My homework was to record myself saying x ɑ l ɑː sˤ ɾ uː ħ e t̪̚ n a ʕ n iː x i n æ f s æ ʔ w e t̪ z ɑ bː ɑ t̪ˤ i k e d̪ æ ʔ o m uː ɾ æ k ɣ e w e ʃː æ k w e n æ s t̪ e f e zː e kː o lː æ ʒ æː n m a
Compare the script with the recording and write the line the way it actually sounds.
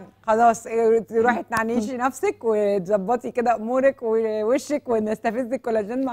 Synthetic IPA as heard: x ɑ l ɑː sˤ ɾ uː ħ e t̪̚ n a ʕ n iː ʃ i n æ f s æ k w e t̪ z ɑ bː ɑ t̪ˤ i k e d̪ æ ʔ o m uː ɾ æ k w e w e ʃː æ k w e n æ s t̪ æ f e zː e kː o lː æ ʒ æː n m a